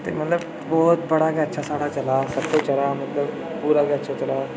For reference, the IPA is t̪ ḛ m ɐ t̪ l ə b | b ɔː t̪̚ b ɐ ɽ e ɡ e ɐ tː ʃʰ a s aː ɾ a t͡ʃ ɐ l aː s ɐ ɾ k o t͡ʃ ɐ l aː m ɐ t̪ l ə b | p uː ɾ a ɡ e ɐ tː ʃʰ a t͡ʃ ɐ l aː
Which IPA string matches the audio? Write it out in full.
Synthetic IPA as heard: t̪ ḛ m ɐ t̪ l ə b | b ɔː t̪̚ b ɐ ɽ a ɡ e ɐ tː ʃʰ a s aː ɽ a t͡ʃ ɐ l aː s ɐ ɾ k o t͡ʃ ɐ l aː m ɐ t̪ l ə b | p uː ɾ a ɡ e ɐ tː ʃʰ a t͡ʃ ɐ l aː